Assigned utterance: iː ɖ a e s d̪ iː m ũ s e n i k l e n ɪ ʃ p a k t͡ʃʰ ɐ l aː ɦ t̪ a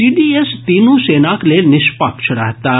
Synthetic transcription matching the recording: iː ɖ i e s t̪ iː n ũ s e n a k l e n ɪ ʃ p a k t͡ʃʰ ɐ ɽ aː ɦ t̪ a